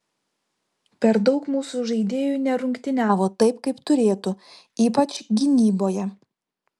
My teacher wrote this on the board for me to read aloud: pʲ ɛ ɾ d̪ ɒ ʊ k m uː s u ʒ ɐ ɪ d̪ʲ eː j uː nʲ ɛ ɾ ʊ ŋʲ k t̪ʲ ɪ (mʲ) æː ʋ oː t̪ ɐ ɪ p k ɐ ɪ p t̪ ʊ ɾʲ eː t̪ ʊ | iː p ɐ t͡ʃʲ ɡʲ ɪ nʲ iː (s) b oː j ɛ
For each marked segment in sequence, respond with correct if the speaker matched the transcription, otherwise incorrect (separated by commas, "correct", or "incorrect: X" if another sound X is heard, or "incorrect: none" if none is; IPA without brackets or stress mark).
incorrect: nʲ, incorrect: none